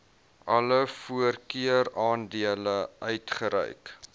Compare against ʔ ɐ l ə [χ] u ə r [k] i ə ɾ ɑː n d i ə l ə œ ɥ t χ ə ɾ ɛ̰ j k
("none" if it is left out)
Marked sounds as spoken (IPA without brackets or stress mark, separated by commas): f, k